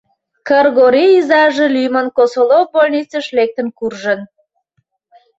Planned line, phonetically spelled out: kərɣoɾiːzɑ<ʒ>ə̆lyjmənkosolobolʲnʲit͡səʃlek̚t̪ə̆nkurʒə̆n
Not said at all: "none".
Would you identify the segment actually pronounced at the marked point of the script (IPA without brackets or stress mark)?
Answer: ʒ